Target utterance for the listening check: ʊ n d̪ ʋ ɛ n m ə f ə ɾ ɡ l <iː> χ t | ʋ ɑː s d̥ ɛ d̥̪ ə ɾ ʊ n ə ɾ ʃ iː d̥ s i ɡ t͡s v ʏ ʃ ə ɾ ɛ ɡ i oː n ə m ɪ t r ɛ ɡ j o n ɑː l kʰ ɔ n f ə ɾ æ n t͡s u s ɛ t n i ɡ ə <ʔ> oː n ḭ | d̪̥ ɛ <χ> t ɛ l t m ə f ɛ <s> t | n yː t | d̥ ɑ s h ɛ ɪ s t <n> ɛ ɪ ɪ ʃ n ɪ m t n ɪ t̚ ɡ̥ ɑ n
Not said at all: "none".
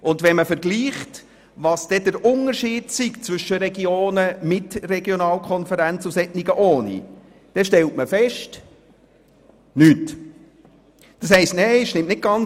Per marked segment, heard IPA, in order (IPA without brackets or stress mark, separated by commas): iː, ʔ, ʃ, ʃ, n